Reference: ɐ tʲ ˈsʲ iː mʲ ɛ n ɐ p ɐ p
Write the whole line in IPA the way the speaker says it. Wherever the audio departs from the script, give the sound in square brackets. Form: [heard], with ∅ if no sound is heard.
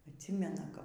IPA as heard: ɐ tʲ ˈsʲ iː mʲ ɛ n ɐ [k] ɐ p